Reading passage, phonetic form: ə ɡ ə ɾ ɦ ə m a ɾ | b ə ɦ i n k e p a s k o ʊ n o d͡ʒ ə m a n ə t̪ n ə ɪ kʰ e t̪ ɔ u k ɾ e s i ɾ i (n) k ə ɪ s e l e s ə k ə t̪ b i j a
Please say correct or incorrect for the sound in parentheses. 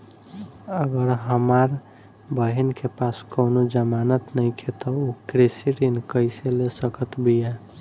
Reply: correct